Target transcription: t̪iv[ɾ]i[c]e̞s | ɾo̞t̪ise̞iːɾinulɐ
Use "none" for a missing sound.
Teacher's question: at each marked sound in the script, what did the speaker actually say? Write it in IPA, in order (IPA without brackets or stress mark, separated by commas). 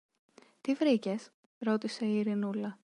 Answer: ɾ, c